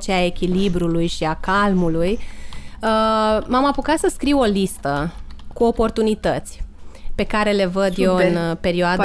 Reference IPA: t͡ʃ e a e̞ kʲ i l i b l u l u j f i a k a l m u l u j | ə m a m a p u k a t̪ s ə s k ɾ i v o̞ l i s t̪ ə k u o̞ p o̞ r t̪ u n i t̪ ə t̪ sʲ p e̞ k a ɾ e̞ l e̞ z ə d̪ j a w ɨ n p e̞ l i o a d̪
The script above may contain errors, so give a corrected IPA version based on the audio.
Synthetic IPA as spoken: t͡ʃ e a e̞ kʲ i l i b ɾ u l u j ʃ i a k a l m u l u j | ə m a m a p u k a t̪ s ə s k ɾ i w o̞ l i s t̪ ə k u o̞ p o̞ r t̪ u n i t̪ ə t̪ sʲ p e̞ k a ɾ e̞ l e̞ v ə d̪ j e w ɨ n p e̞ ɾ i o a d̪